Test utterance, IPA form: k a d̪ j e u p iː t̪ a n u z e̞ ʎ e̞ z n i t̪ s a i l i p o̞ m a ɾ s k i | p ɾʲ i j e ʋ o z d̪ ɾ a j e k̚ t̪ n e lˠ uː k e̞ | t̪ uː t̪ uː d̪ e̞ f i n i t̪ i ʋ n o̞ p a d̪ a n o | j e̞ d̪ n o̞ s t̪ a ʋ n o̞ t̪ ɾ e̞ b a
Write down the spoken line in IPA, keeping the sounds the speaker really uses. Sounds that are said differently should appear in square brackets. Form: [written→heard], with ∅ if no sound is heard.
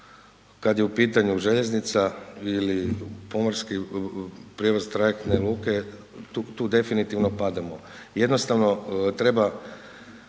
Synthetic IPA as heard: k a d̪ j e u p iː t̪ a [n→ɲ] u [z→ʒ] e̞ ʎ e̞ z n i t̪ s a i l i p o̞ m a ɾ s k i | p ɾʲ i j e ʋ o z [d̪→t̪] ɾ a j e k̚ t̪ n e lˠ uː k e̞ | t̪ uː t̪ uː d̪ e̞ f i n i t̪ i ʋ n o̞ p a d̪ a [n→m] o | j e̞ d̪ n o̞ s t̪ a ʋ n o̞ t̪ ɾ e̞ b a

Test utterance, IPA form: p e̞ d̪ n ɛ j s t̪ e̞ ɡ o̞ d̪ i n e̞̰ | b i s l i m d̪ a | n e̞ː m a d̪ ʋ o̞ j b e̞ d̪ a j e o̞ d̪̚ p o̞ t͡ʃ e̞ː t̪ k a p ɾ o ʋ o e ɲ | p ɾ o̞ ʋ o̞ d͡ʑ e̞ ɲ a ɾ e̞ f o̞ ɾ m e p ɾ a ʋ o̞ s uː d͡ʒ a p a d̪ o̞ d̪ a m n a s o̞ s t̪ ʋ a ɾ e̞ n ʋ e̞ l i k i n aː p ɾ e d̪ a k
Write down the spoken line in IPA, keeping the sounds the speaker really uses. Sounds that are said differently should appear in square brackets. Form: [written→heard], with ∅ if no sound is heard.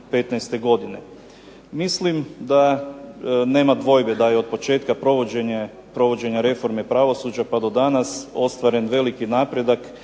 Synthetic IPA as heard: p e̞ [d̪→t̪] n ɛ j s t̪ e̞ ɡ o̞ d̪ i n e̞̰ | [b→m] i s l i m d̪ a | n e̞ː m a d̪ ʋ o̞ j b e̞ d̪ a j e o̞ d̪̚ p o̞ t͡ʃ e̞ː t̪ k a p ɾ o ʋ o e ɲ | p ɾ o̞ ʋ o̞ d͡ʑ e̞ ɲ a ɾ e̞ f o̞ ɾ m e p ɾ a ʋ o̞ s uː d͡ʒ a p a d̪ o̞ d̪ a [m→∅] n a s o̞ s t̪ ʋ a ɾ e̞ n ʋ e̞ l i k i n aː p ɾ e d̪ a k

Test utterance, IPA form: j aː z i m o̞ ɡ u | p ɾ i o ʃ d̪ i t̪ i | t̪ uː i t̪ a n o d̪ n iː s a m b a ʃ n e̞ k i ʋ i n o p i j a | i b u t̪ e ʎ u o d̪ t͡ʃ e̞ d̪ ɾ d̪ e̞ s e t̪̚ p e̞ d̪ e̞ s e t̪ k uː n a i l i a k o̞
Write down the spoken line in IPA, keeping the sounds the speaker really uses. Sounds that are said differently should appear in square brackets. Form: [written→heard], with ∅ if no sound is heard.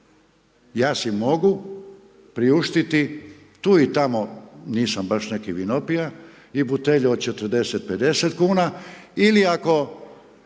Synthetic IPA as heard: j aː [z→s] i m o̞ ɡ u | p ɾ i [o→u] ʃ [d̪→t̪] i t̪ i | t̪ uː i t̪ a [n→m] o [d̪→∅] n iː s a m b a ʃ n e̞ k i ʋ i n o p i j a | i b u t̪ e ʎ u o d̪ t͡ʃ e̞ [d̪→t̪] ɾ d̪ e̞ s e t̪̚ p e̞ d̪ e̞ s e t̪ k uː n a i l i a k o̞

